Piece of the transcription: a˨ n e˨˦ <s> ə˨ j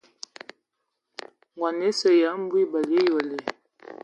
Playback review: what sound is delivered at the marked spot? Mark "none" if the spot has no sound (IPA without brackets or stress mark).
s